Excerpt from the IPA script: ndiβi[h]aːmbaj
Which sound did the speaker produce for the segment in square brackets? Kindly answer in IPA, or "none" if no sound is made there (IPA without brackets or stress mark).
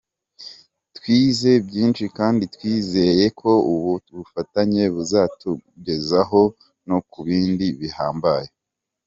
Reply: h